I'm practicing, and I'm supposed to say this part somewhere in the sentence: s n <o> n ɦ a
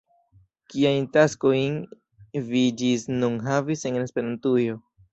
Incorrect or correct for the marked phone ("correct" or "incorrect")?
incorrect